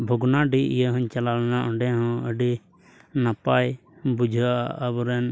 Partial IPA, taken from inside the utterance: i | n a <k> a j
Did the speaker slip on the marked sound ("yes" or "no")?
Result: yes